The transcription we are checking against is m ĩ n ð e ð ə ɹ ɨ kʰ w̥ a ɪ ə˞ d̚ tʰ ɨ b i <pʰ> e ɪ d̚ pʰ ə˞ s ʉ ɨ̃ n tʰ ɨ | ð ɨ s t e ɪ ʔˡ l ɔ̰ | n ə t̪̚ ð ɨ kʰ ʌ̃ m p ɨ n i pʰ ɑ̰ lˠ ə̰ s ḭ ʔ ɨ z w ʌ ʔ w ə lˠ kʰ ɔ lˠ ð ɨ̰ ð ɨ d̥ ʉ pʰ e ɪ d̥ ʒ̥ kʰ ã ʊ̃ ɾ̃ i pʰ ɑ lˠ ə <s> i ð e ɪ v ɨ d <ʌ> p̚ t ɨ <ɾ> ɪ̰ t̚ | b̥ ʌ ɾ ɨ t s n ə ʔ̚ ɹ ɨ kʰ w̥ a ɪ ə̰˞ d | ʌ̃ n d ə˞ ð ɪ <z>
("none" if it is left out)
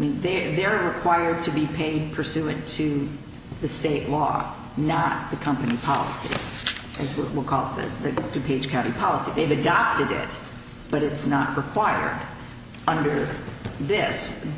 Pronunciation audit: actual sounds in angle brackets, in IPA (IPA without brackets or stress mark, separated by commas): pʰ, s, ɑ, ɾ, s